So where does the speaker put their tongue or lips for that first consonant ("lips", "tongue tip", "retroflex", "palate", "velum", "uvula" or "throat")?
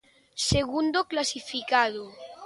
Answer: tongue tip